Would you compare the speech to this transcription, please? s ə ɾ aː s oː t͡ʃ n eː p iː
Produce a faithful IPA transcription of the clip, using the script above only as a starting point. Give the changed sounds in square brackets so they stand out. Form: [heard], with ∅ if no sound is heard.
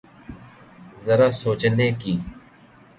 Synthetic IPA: [z] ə ɾ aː s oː t͡ʃ n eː [k] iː